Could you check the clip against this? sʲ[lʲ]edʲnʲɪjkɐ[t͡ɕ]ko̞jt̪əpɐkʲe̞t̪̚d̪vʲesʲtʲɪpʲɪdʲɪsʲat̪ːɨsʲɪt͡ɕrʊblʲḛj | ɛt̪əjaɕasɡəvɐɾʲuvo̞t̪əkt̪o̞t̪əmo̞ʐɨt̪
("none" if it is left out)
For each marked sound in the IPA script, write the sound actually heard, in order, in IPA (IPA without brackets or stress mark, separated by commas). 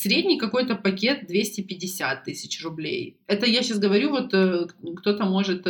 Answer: ɾʲ, none